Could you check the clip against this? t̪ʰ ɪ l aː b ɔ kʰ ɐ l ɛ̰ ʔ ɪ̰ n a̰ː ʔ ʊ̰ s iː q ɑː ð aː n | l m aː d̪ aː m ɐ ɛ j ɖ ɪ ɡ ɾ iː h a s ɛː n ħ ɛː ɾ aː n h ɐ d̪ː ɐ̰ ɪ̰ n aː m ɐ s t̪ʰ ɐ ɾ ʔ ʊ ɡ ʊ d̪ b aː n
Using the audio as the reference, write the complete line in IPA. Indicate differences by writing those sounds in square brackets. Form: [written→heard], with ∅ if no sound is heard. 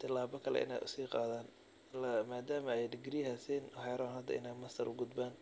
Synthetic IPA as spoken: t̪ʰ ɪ l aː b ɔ kʰ ɐ l ɛ̰ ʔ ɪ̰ n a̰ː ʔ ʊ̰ s iː q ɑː ð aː n | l m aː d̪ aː m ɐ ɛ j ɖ ɪ ɡ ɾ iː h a s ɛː n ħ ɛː ɾ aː n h ɐ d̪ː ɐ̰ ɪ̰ n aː m ɐ s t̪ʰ ɐ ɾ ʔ ʊ ɡ ʊ d̪ b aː n